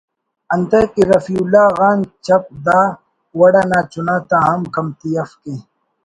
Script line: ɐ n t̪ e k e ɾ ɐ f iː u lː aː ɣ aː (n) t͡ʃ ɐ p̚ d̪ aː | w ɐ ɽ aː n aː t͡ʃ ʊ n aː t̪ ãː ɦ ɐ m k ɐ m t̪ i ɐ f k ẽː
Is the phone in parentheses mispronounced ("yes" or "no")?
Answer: no